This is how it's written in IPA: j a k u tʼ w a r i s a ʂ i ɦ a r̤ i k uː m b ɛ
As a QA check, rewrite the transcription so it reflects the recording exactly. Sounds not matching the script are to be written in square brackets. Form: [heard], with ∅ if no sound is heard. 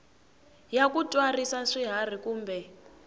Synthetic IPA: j a k u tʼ w a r i s a ʂ i ɦ a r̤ i k uː m b ɛ